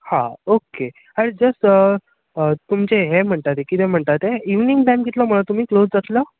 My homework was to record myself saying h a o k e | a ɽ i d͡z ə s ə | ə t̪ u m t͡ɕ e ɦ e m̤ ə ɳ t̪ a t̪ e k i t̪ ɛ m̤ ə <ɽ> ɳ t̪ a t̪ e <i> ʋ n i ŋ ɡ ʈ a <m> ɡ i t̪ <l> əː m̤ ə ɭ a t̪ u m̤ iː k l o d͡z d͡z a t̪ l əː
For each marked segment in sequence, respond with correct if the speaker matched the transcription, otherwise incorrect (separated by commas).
incorrect, correct, correct, correct